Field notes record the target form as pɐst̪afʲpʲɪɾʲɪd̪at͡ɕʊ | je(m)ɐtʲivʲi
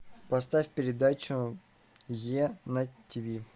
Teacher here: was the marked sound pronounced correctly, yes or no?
no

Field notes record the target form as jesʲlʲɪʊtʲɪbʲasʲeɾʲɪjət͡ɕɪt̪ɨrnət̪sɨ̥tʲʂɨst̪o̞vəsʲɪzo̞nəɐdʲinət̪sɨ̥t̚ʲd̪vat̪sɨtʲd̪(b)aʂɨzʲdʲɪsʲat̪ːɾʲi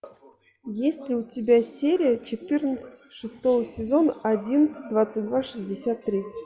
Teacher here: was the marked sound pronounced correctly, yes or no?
no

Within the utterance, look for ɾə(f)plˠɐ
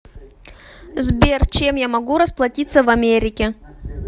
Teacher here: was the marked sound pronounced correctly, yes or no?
no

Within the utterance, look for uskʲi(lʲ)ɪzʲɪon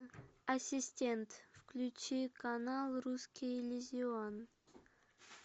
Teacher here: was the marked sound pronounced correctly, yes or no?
yes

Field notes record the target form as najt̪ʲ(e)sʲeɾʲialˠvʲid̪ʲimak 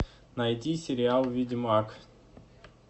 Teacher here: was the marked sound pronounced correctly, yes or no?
no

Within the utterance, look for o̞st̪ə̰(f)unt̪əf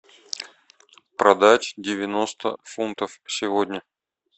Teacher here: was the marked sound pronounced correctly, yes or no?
yes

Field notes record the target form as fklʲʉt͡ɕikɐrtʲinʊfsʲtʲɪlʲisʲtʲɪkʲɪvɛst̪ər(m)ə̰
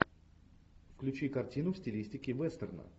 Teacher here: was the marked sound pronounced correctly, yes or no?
no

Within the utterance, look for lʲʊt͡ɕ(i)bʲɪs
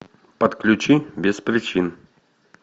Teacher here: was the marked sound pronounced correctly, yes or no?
yes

